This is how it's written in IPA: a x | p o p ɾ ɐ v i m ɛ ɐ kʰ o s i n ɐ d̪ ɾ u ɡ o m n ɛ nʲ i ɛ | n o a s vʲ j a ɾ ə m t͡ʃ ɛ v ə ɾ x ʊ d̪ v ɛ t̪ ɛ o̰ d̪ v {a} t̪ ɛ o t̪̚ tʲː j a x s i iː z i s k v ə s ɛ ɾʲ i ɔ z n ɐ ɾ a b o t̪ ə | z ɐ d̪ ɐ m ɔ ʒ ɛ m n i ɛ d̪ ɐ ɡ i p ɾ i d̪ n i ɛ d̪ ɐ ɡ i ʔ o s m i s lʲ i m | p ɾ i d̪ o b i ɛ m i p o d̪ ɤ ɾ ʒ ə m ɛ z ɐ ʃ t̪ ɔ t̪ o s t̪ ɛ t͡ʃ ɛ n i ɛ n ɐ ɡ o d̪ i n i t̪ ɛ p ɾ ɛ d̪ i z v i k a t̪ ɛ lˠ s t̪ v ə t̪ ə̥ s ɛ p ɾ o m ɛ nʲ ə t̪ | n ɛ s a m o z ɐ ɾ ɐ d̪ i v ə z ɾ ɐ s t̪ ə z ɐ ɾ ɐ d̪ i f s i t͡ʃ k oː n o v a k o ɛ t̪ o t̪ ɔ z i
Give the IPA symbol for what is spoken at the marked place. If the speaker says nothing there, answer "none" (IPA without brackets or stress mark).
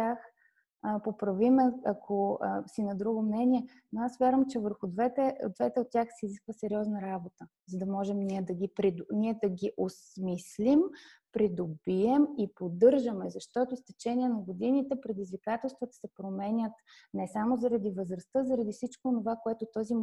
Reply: ɛ